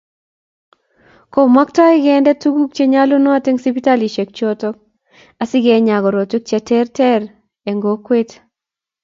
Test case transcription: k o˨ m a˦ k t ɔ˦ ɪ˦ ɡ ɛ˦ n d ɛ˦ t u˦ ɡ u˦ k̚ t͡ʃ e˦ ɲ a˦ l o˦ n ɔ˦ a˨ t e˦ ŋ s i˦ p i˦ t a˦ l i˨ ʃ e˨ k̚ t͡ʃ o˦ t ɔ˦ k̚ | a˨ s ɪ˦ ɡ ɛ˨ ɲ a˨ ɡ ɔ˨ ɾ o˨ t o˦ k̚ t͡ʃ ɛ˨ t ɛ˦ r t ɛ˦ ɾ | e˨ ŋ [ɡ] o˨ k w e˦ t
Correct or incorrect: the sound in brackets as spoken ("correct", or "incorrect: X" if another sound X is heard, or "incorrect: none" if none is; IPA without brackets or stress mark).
correct